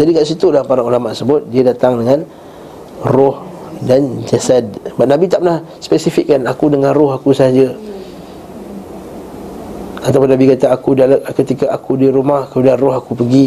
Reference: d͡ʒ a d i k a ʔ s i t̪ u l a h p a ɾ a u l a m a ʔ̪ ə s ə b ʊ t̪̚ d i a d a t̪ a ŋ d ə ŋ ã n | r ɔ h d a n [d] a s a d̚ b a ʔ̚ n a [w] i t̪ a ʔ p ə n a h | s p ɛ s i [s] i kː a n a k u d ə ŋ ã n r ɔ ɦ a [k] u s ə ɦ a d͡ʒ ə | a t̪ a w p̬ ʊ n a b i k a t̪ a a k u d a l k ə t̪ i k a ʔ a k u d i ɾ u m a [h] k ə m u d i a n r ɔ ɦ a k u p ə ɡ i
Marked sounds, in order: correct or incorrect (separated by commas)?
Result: incorrect, incorrect, incorrect, correct, correct